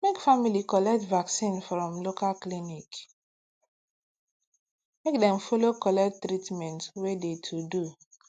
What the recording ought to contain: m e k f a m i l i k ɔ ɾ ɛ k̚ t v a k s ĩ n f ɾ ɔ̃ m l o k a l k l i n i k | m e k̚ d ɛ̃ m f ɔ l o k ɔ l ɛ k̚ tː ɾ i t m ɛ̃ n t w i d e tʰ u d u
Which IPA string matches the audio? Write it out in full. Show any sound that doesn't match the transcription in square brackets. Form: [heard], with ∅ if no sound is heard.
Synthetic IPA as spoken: m e k f a m i l i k ɔ [l] ɛ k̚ t v a k s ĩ n f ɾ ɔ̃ m l o k a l k l i n i k | m e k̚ d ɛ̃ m f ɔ l o k ɔ l ɛ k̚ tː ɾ i t m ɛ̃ n t w [e] d e tʰ u d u

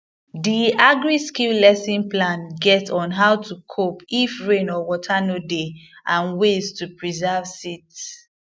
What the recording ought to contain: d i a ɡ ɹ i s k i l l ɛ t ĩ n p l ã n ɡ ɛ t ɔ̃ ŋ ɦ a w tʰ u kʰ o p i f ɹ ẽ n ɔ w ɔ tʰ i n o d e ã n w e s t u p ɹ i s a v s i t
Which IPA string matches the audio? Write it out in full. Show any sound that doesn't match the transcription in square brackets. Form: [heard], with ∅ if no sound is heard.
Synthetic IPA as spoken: d i a ɡ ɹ i s k i l l ɛ [s] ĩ n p l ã n ɡ ɛ t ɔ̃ [n] ɦ a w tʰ u kʰ o p i f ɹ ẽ n ɔ w ɔ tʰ [a] n o d e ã n w e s t u p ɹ i [z] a v s i t

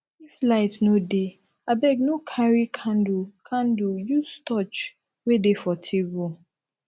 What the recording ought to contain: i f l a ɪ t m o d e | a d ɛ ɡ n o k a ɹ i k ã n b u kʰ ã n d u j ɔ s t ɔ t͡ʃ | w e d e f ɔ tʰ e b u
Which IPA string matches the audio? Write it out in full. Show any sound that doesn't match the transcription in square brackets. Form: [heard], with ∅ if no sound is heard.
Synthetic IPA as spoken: i f l a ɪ t [n] o d e | a [b] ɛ ɡ n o [kʰ] a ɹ i [kʰ] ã n [d] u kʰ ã n d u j [u] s t ɔ t͡ʃ | w e d e f ɔ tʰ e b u

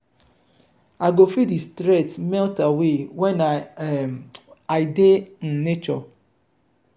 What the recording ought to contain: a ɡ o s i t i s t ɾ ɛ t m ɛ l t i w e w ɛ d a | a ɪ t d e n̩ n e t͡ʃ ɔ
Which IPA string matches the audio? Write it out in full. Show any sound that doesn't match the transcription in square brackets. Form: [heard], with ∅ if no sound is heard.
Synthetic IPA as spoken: a ɡ o [f] i [d] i s t ɾ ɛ t m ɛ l t [a] w e w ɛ [n] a | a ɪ [∅] d e n̩ n e t͡ʃ ɔ

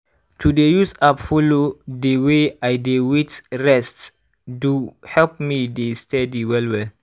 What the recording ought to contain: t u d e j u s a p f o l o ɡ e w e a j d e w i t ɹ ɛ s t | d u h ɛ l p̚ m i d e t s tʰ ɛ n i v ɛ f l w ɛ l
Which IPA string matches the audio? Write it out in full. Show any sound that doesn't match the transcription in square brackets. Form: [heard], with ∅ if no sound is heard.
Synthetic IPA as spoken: t u d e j u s a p f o l o [d] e w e a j d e w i t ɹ ɛ s t | d u h ɛ l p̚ m i d e [∅] s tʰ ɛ [d] i [w] ɛ [∅] l w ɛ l

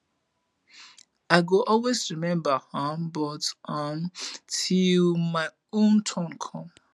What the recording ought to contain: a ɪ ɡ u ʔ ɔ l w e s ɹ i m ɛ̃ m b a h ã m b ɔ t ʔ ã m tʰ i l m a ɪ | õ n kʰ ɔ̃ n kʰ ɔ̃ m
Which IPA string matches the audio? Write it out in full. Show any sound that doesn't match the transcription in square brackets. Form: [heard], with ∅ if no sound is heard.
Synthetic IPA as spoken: a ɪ ɡ [o] ʔ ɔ l w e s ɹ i m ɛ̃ m b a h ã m b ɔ t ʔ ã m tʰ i l m a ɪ | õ n [tʰ] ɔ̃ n kʰ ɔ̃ m

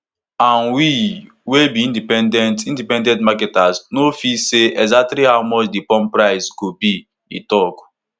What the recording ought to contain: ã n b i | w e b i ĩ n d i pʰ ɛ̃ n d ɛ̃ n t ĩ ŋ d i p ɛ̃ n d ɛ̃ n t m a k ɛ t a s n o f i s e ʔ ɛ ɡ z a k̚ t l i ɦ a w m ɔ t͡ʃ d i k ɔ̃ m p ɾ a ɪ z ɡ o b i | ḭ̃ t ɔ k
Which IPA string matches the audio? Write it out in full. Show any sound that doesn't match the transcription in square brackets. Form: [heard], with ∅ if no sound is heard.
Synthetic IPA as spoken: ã n [w] i | w e b i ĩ n d i [p] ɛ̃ n d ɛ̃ n t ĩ [n] d i p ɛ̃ n d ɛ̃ n t m a k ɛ t a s n o f i s e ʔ ɛ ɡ z a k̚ t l i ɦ a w m ɔ t͡ʃ d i [p] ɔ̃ m p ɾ a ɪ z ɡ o b i | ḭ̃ t ɔ k

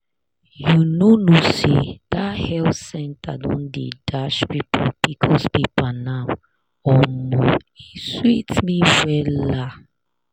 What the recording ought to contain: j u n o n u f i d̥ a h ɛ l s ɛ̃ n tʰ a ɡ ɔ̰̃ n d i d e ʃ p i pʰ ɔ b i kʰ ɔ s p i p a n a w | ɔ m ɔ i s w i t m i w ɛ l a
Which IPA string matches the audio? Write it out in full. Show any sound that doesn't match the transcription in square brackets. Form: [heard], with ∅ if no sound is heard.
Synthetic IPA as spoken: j u n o n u [s] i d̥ a h ɛ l s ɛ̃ n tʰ a [d] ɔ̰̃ n d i d [a] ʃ p i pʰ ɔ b i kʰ ɔ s p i p a n a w | ɔ m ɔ i s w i t m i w ɛ l a

